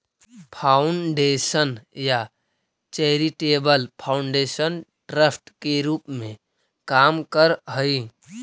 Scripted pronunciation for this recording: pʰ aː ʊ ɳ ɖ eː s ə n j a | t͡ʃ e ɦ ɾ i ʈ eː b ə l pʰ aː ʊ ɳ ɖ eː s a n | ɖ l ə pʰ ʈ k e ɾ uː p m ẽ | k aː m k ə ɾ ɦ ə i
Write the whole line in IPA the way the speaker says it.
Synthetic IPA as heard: pʰ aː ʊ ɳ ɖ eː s ə n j a | t͡ʃ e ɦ ɾ i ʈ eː b ə l pʰ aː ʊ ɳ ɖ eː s ə n | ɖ ɾ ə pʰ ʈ k e ɾ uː p m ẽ | k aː m k ə ɾ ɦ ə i